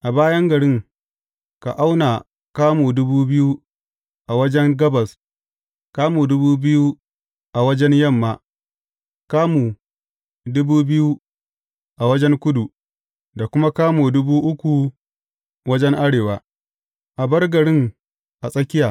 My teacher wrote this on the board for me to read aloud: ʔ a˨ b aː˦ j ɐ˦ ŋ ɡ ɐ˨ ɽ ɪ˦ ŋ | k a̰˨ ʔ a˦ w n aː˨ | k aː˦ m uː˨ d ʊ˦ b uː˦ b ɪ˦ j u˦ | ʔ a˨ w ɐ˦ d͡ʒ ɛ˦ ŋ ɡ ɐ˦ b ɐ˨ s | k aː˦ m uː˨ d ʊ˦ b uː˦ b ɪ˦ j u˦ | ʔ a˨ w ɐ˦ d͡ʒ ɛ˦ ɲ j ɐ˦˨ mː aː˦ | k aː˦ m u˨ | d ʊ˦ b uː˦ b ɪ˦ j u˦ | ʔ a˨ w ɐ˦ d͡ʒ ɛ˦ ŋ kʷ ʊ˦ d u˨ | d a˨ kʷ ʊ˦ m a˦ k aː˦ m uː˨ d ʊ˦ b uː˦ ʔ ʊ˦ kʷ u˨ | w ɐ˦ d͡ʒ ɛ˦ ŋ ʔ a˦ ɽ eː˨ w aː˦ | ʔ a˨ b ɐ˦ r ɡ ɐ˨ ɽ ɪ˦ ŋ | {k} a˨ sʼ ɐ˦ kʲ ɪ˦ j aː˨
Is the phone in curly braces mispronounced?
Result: yes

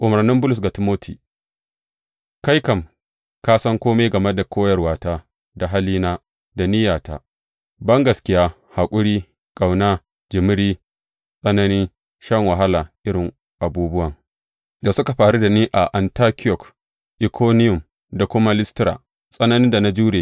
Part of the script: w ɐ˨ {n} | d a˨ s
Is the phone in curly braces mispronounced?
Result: yes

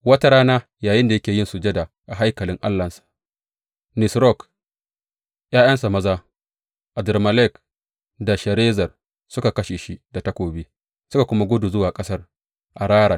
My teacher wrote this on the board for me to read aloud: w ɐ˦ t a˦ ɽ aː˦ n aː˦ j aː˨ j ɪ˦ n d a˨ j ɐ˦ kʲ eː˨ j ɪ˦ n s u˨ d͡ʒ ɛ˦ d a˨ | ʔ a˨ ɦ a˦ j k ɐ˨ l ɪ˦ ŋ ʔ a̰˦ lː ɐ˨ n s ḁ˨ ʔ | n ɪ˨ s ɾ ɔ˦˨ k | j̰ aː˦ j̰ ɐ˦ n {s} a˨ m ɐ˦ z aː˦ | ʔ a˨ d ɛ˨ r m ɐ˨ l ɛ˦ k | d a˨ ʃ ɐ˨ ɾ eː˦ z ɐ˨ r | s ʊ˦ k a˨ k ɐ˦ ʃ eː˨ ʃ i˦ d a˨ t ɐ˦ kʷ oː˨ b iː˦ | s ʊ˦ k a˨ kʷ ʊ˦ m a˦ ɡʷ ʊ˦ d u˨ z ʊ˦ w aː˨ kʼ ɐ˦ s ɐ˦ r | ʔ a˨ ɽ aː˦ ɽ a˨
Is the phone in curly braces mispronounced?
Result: no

